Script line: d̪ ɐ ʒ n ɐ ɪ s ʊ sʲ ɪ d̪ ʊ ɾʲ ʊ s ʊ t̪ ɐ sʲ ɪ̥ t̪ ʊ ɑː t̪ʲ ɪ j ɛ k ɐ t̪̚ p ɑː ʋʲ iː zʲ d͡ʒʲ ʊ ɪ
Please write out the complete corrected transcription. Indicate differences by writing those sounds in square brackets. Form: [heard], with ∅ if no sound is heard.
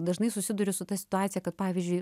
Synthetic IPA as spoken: d̪ ɐ ʒ n ɐ ɪ s ʊ sʲ ɪ d̪ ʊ ɾʲ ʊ s ʊ t̪ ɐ sʲ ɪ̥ t̪ ʊ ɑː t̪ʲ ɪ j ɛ k ɐ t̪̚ p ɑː ʋʲ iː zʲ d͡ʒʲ ʊ ɪ